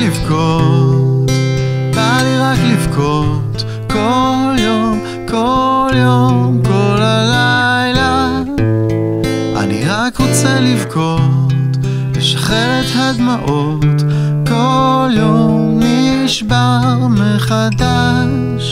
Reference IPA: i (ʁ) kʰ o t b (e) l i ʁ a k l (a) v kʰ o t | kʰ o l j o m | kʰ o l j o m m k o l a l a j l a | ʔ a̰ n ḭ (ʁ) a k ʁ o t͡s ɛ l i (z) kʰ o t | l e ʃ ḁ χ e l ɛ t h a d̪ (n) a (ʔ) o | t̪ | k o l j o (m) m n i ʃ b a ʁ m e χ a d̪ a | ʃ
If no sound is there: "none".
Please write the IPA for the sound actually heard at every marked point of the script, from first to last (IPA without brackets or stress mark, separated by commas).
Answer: v, a, i, ʁ, v, m, ʔ, m